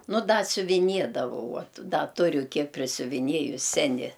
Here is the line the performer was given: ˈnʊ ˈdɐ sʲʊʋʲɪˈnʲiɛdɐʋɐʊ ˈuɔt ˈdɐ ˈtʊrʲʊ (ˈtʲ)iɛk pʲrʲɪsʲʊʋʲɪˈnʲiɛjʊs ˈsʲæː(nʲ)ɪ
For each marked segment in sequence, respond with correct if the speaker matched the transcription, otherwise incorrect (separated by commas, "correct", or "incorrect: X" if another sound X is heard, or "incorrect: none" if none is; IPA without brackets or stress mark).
incorrect: kʲ, correct